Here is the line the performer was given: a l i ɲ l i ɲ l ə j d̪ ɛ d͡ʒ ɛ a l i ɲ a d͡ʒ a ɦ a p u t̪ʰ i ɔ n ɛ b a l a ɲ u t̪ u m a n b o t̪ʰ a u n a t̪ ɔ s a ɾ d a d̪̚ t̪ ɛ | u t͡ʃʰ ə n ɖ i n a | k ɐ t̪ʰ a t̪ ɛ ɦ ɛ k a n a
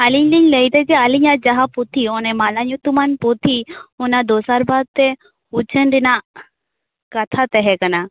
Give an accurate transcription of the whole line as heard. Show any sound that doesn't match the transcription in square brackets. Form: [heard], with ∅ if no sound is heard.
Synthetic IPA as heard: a l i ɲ l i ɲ l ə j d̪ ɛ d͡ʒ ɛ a l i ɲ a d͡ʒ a ɦ a p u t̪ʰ i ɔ n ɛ [m] a l a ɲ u t̪ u m a n [p] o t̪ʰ [i] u n a [d̪] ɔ s a ɾ [b] a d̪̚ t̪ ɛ | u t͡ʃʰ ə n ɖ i n a | k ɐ t̪ʰ a t̪ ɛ ɦ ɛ k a n a